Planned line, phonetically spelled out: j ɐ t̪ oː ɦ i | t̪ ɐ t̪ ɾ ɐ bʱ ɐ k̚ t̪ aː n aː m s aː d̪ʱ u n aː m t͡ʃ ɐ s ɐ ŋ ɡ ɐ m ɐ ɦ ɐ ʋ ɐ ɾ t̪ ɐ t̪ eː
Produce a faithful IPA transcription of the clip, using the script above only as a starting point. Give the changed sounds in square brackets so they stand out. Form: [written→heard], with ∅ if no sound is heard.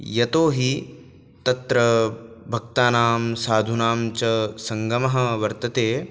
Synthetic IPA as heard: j ɐ t̪ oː ɦ i | t̪ ɐ t̪ ɾ ɐ bʱ ɐ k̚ t̪ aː n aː m s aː d̪ʱ u n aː m t͡ʃ ɐ s ɐ ŋ ɡ ɐ m ɐ ɦ ɐ ʋ ɐ ɾ t̪ ɐ t̪ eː